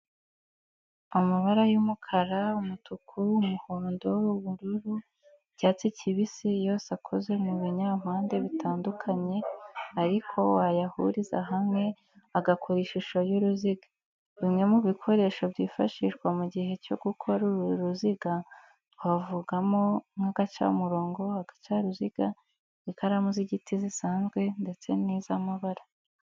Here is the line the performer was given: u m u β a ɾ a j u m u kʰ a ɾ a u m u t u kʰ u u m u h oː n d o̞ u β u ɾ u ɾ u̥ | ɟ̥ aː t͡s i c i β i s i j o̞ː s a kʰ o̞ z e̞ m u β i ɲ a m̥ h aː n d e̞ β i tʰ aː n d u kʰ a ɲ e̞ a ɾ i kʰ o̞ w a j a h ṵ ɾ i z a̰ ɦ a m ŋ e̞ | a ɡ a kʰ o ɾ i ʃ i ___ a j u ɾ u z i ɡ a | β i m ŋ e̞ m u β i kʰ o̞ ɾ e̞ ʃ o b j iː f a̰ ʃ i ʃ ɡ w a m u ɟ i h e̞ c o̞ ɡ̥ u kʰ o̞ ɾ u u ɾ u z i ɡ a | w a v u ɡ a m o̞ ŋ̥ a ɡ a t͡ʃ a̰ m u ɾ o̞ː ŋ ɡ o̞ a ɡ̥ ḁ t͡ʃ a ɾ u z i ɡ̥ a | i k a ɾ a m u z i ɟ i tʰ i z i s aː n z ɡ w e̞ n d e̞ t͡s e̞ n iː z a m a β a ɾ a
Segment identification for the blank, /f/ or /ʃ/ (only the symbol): ʃ